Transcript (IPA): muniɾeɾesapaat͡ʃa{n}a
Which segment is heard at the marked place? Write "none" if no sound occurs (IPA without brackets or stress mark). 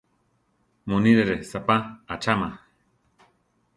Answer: m